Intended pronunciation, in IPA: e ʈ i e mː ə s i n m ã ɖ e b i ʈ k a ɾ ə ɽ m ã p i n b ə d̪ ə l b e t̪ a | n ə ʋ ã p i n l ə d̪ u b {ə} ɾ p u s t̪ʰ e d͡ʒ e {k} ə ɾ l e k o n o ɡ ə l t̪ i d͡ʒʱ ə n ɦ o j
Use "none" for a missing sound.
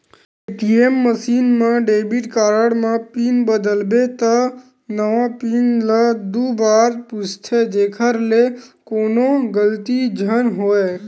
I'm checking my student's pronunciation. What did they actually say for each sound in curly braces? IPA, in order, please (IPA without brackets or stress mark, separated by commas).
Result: a, kʰ